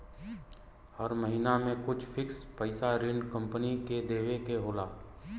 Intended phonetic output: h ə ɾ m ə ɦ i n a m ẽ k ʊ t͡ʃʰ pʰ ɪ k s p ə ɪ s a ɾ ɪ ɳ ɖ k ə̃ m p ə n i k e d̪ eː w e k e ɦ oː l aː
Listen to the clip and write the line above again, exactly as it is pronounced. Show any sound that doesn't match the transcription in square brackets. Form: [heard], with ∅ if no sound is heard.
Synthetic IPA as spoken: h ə ɾ m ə ɦ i n a m ẽ k ʊ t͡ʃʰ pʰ ɪ k s p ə ɪ s a ɾ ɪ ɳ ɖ k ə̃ m p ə n i k e d̪ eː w e k e ɦ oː l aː